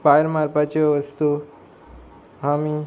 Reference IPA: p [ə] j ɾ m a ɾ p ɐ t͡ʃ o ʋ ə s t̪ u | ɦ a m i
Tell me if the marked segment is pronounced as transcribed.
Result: no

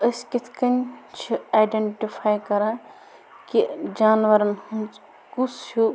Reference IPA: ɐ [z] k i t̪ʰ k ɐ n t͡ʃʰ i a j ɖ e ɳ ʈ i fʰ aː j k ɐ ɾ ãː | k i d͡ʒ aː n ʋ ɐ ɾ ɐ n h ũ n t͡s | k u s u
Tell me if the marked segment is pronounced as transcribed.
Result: no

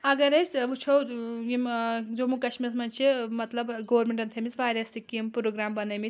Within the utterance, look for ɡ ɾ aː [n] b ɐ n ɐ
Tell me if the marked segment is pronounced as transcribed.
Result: no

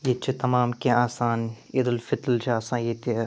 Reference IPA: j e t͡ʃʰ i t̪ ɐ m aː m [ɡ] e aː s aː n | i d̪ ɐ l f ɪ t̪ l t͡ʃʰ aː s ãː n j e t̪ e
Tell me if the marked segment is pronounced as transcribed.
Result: no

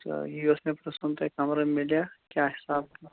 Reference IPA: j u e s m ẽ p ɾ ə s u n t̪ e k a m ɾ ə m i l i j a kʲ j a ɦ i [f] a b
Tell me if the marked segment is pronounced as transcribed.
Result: no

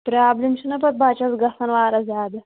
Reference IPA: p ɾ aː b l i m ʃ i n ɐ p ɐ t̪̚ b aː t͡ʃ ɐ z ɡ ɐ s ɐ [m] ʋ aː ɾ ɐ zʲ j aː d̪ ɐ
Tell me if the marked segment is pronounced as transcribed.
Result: no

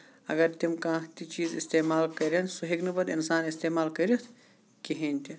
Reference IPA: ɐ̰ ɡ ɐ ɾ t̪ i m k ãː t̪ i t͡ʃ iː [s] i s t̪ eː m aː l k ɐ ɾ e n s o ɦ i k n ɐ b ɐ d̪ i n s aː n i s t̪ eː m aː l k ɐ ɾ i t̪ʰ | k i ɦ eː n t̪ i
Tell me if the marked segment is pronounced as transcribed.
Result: no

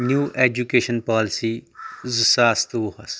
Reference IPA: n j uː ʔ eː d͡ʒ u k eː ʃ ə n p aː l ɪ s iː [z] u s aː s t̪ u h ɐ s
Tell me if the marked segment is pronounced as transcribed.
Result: yes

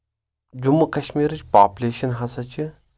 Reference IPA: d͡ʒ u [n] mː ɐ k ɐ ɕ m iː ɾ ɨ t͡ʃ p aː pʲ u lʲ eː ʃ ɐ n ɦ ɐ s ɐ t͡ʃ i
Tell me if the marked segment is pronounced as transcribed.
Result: no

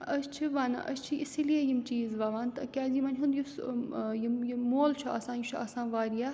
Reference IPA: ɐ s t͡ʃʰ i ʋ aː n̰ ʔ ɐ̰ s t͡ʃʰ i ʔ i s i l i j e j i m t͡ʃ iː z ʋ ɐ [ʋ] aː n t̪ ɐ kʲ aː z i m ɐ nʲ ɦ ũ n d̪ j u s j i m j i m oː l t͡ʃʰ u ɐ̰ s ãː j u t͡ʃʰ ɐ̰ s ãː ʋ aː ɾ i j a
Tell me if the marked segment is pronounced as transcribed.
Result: yes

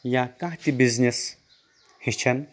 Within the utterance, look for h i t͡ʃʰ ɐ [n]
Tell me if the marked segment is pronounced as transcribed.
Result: yes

